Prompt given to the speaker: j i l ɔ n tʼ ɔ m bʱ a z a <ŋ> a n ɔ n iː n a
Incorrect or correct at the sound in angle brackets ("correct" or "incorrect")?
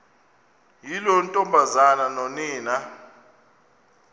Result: incorrect